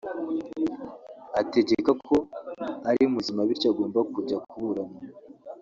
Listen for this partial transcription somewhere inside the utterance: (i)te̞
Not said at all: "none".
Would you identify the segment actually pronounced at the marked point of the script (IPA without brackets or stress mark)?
a